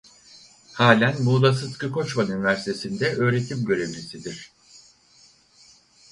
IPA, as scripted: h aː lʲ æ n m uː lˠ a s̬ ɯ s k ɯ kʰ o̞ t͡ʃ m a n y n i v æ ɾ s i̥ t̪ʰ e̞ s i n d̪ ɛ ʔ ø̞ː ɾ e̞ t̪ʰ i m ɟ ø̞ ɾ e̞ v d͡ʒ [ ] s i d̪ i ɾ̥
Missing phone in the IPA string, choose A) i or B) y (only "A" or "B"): A